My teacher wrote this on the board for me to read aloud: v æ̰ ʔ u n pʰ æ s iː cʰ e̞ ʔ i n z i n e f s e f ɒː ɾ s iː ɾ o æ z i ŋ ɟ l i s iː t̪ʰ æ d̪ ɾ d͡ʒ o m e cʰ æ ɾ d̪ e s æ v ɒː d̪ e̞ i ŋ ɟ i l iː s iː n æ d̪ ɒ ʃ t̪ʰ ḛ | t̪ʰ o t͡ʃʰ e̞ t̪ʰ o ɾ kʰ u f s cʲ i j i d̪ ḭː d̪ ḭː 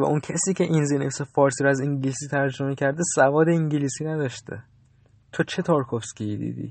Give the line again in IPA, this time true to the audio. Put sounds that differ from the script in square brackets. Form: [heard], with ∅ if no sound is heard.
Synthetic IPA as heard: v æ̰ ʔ u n [cʰ] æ s iː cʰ e̞ ʔ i n z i n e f s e f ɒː ɾ s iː ɾ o æ z i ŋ ɟ l i s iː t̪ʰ æ [∅] ɾ d͡ʒ o m e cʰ æ ɾ d̪ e s æ v ɒː d̪ e̞ i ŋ ɟ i l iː s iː n æ d̪ ɒ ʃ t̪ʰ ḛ | t̪ʰ o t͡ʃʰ e̞ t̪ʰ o ɾ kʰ [o] f s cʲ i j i d̪ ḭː d̪ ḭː